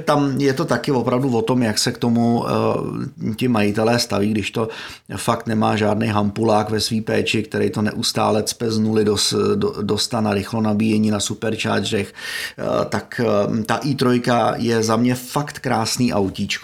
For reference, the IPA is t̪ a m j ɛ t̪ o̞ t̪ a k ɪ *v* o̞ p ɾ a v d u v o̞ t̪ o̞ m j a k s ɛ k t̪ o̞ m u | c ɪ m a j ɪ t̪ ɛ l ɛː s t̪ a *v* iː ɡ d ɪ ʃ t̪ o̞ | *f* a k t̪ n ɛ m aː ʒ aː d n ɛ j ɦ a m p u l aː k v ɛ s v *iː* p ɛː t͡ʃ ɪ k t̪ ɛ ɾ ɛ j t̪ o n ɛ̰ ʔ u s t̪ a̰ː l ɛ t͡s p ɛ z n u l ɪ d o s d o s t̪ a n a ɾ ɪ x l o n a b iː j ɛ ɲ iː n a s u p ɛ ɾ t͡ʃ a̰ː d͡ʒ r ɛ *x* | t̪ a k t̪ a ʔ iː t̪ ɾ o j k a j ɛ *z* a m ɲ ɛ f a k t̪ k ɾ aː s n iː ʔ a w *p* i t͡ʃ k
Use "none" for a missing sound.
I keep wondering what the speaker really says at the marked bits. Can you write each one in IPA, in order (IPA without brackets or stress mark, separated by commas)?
v, v, f, iː, x, z, c